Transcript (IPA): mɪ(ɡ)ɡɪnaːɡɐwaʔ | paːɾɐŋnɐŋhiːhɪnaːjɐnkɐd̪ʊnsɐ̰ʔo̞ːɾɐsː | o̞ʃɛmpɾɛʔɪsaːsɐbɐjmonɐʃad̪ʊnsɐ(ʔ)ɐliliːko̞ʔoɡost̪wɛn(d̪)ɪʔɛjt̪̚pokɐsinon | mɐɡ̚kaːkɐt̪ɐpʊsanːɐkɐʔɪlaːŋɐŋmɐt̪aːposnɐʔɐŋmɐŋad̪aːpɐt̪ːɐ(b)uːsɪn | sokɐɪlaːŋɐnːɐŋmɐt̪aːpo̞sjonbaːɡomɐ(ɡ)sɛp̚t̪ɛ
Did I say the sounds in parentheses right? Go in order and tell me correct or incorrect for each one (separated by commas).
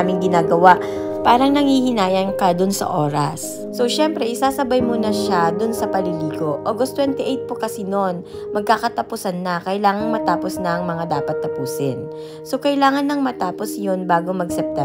incorrect, incorrect, incorrect, incorrect, correct